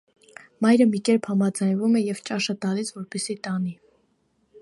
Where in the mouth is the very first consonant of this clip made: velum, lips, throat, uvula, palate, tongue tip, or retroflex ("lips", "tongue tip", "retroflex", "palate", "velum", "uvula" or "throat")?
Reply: lips